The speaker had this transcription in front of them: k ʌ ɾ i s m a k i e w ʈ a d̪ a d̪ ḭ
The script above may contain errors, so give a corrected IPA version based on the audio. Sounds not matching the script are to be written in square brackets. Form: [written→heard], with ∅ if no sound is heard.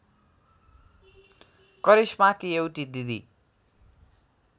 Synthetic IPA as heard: k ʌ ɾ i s m a k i e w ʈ [a→i] d̪ [a→i] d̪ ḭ